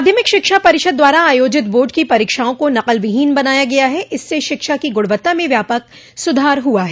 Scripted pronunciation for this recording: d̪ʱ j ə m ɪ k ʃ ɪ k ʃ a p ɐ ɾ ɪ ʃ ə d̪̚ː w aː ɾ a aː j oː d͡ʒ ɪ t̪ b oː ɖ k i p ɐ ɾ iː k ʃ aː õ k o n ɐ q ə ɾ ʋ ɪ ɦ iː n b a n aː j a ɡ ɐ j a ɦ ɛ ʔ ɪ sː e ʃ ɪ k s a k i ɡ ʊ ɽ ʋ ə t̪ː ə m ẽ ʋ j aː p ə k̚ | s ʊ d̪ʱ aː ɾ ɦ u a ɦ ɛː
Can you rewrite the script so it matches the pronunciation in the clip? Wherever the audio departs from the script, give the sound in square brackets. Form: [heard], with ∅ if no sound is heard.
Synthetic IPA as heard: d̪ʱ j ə m ɪ k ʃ ɪ k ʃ a p ɐ ɾ ɪ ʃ ə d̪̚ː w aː ɾ a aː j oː d͡ʒ ɪ t̪ b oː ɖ k i p ɐ ɾ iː k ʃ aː õ k o n ɐ q ə [l] ʋ ɪ ɦ iː n b [ɐ] n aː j a ɡ ɐ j a ɦ ɛ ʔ ɪ sː e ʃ ɪ k [ʃ] a k i ɡ ʊ ɽ ʋ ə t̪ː [a] m ẽ ʋ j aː p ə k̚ | s ʊ d̪ʱ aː ɾ ɦ u a ɦ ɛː

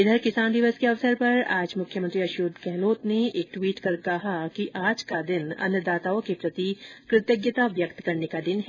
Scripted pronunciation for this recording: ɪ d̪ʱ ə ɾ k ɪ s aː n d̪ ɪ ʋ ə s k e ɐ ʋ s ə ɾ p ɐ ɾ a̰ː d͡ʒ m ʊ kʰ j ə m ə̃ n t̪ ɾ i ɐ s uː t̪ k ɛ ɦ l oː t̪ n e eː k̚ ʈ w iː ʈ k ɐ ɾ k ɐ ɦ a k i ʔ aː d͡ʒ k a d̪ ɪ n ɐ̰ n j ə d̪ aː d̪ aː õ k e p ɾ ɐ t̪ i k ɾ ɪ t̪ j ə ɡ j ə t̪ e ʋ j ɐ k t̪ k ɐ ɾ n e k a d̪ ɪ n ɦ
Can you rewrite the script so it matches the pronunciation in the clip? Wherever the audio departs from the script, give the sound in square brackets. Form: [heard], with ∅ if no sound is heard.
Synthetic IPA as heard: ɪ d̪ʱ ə ɾ k ɪ s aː n d̪ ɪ ʋ ə s k e ɐ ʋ s ə ɾ p ɐ ɾ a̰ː d͡ʒ m ʊ kʰ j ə m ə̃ n t̪ ɾ i ɐ [ʃ] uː [d̪] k ɛ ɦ l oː t̪ n e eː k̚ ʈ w iː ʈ k ɐ ɾ k ɐ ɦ a k i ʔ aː d͡ʒ k a d̪ ɪ n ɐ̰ n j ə d̪ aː [t̪] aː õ k e p ɾ ɐ t̪ i k ɾ ɪ t̪ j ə ɡ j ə t̪ [a] ʋ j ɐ k t̪ k ɐ ɾ n e k a d̪ ɪ n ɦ

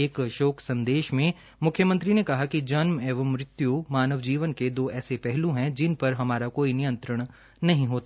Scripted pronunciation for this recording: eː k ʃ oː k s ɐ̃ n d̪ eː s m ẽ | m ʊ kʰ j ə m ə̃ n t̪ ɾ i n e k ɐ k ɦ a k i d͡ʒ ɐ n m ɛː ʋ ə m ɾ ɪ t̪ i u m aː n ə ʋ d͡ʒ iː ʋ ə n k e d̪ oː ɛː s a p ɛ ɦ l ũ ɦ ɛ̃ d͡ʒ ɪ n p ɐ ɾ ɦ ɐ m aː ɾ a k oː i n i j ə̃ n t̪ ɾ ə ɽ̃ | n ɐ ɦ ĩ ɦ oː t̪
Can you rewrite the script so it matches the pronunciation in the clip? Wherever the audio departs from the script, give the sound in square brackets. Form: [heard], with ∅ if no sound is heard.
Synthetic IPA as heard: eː k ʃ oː k s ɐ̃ n d̪ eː [ʃ] m ẽ | m ʊ kʰ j ə m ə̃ n t̪ ɾ i n e k ɐ [∅] ɦ a k i d͡ʒ ɐ n m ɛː ʋ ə m ɾ ɪ t̪ [j] u m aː n ə ʋ d͡ʒ iː ʋ ə n k e d̪ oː ɛː s [e] p ɛ ɦ l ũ ɦ ɛ̃ d͡ʒ ɪ n p ɐ ɾ ɦ ɐ m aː ɾ a k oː i n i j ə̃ n t̪ ɾ ə ɽ̃ | n ɐ ɦ ĩ ɦ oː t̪

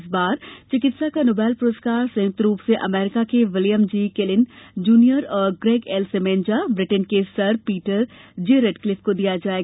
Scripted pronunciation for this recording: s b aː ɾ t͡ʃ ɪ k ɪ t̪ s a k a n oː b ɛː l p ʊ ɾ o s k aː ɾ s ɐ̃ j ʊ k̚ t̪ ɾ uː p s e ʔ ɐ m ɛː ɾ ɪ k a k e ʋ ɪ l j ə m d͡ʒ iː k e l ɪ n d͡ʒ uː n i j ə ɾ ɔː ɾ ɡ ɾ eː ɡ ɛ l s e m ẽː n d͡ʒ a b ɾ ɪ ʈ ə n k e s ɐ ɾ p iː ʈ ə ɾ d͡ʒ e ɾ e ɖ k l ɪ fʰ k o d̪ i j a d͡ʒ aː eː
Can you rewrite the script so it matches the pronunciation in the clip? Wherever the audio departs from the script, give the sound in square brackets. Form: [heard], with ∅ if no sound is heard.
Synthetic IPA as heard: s b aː ɾ t͡ʃ ɪ k ɪ t̪ s a k a n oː b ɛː l p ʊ ɾ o s k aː ɾ s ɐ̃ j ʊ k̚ t̪ ɾ uː p s e ʔ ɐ m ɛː ɾ ɪ k a k e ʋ ɪ l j ə m d͡ʒ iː k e l ɪ n d͡ʒ uː n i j ə ɾ ɔː ɾ ɡ ɾ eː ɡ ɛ l s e m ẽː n d͡ʒ a b ɾ ɪ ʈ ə n k e s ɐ ɾ p iː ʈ ə ɾ d͡ʒ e ɾ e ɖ k l ɪ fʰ k o d̪ i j a d͡ʒ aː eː

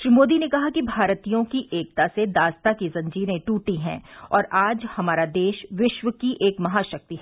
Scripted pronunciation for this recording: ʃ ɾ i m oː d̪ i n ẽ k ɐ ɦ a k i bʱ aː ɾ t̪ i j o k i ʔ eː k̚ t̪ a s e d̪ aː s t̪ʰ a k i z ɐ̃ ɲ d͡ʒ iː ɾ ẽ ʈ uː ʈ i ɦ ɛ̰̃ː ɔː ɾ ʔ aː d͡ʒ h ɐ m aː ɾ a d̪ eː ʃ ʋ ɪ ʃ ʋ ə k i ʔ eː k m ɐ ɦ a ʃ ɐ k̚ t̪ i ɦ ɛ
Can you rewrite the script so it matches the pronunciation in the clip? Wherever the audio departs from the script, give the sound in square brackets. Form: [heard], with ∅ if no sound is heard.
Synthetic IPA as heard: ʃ ɾ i m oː d̪ i n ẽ k ɐ ɦ a k i bʱ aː ɾ t̪ i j [õ] k i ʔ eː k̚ t̪ a s e d̪ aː s [t̪] a k i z ɐ̃ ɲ d͡ʒ iː ɾ ẽ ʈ uː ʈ i ɦ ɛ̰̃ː ɔː ɾ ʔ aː d͡ʒ h ɐ m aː ɾ a d̪ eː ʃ ʋ ɪ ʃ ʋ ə k i ʔ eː k m ɐ ɦ a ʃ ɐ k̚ t̪ i ɦ ɛ

